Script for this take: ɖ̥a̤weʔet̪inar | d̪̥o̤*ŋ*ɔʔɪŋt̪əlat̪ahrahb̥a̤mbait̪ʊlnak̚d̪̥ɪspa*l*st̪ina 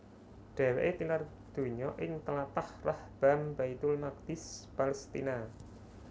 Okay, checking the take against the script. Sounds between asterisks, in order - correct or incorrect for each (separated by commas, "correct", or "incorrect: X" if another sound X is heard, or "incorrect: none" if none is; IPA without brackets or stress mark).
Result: incorrect: ɲ, correct